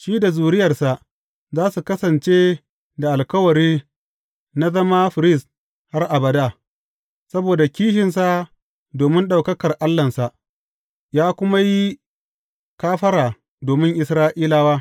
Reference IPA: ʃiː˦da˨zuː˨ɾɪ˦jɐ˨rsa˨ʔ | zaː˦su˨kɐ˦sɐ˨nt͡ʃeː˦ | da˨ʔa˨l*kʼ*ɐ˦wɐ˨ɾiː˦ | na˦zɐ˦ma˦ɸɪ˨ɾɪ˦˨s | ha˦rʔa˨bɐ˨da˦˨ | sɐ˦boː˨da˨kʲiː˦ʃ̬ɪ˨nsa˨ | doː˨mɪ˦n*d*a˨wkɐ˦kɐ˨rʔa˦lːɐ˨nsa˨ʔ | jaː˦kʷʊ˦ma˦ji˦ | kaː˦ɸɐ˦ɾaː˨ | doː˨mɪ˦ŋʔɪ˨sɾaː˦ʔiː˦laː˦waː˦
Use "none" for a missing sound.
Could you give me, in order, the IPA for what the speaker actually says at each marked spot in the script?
k, ɗ

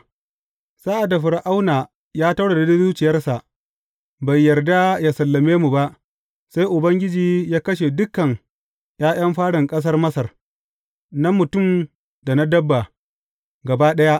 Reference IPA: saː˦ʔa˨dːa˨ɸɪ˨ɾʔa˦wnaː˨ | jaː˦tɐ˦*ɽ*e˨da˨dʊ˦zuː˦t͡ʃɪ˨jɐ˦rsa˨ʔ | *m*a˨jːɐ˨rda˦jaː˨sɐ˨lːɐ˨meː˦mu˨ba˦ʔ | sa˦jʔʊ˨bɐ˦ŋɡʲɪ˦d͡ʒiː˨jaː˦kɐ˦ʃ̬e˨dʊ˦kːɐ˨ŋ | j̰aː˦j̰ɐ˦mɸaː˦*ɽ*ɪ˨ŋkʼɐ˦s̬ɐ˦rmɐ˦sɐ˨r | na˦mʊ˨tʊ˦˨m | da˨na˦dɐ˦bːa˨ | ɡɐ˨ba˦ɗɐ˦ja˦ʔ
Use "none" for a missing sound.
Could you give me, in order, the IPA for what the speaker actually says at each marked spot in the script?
ɽ, b, ɽ

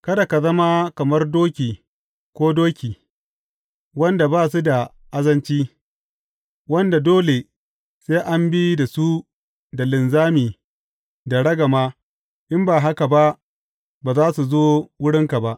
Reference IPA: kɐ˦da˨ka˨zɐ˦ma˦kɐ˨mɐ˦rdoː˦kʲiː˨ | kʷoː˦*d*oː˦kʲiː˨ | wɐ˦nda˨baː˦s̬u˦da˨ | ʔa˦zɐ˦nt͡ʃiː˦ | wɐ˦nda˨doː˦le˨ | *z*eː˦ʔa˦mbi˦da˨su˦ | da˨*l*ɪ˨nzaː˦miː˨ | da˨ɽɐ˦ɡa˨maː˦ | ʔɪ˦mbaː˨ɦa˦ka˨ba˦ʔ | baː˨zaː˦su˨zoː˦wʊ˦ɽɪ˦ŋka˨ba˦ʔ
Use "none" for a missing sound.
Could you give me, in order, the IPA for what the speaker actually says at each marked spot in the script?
d, s, l

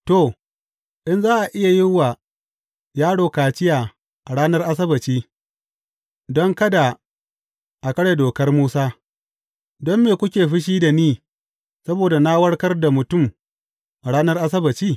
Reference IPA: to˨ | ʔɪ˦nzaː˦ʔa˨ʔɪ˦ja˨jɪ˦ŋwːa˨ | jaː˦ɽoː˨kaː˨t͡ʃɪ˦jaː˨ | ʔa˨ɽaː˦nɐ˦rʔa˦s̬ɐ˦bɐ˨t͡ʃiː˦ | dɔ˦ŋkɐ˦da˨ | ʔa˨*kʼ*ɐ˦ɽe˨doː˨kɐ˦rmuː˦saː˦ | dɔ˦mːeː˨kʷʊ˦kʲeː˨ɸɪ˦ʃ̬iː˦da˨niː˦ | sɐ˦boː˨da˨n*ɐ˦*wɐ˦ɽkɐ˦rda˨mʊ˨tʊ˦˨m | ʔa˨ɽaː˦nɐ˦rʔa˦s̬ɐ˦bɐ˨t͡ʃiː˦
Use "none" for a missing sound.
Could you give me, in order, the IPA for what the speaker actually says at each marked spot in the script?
k, a˦

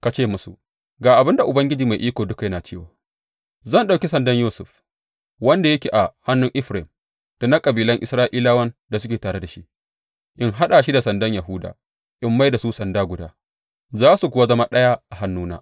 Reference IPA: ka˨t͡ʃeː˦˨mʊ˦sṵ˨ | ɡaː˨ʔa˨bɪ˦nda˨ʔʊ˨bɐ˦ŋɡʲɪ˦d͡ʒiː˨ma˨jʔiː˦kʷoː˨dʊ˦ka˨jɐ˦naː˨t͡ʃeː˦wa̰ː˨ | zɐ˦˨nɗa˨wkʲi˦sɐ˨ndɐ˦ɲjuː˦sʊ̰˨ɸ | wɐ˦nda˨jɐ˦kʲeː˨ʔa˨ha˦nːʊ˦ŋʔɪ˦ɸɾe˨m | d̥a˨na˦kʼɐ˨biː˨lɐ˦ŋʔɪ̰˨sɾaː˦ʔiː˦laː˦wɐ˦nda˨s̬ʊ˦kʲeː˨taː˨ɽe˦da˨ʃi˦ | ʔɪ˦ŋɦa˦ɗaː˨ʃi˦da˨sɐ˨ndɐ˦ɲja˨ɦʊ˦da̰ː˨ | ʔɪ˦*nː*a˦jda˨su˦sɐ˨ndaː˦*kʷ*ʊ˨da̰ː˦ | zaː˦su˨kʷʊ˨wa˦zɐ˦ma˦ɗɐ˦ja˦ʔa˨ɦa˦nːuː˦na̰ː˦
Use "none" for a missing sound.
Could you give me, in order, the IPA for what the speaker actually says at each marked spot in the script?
mː, ɡʷ

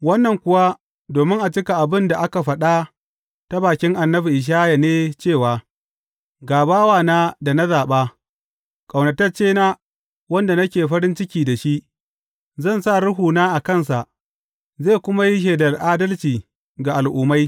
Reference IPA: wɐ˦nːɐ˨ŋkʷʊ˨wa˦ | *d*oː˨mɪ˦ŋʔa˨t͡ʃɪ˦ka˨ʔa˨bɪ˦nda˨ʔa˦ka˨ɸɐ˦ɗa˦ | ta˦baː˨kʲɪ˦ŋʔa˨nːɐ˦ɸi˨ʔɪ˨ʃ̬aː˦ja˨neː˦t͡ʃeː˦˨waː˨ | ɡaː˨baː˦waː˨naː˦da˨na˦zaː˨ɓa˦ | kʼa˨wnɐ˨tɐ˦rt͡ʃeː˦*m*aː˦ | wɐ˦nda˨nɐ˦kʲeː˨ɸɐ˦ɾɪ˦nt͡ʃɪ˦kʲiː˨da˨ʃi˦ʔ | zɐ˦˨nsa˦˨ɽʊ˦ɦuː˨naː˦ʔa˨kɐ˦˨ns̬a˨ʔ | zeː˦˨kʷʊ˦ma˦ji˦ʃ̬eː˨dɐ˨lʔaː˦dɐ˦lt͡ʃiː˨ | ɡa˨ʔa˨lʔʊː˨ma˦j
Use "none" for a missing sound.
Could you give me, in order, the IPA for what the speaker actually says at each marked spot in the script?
d, n

